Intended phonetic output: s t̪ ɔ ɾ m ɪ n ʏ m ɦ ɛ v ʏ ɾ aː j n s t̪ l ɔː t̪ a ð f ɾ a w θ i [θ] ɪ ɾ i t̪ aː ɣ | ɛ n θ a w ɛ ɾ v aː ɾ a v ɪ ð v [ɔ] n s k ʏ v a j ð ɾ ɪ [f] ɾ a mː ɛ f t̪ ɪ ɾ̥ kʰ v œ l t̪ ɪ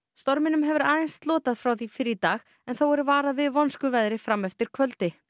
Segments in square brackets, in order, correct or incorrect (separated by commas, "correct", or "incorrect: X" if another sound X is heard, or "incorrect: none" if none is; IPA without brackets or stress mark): incorrect: f, correct, correct